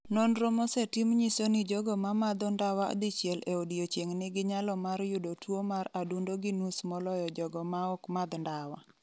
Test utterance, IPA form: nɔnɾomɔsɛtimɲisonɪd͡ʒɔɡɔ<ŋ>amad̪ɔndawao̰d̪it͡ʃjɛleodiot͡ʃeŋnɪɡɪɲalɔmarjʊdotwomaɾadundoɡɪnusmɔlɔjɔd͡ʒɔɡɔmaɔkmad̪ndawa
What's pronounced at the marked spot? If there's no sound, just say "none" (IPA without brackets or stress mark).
m